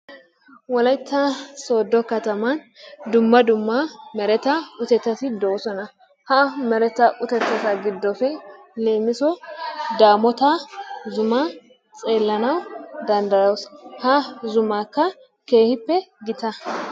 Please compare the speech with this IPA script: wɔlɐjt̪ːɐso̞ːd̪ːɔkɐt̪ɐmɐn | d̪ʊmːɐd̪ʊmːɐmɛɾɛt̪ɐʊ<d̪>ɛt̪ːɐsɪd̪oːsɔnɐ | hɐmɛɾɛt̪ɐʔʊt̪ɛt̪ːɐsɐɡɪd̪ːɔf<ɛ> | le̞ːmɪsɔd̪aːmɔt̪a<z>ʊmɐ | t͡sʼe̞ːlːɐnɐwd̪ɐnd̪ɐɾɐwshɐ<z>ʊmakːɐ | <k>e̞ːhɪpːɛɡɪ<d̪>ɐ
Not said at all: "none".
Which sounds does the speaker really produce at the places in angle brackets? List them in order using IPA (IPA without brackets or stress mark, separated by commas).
t̪, ɛ, z, z, k, t̪